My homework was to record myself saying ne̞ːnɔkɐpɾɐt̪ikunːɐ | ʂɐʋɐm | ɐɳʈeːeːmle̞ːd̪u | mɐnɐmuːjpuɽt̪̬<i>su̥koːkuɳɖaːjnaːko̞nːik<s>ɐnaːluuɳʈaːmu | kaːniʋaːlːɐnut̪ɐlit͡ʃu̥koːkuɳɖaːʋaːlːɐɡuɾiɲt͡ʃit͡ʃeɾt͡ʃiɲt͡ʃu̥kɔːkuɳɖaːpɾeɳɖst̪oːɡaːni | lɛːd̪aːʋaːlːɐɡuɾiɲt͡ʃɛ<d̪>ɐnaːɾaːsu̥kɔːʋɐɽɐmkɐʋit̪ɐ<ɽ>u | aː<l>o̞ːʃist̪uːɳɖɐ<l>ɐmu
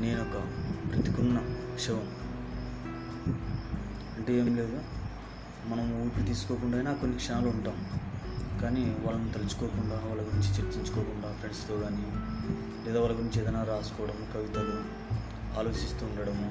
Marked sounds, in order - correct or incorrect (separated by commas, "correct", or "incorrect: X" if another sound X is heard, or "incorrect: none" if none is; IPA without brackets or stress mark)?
incorrect: iː, incorrect: ʂ, correct, incorrect: l, correct, incorrect: ɽ